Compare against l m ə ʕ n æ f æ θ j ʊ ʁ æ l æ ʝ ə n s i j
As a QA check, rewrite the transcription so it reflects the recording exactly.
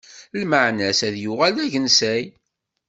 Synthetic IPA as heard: l m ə ʕ n æ s æ ð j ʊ ʁ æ l æ ʝ ə n s æ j